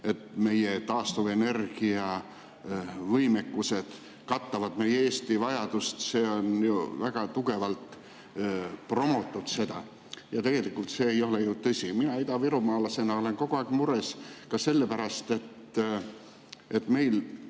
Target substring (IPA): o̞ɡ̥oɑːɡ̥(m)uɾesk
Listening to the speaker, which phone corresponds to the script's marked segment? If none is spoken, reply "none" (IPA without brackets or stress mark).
m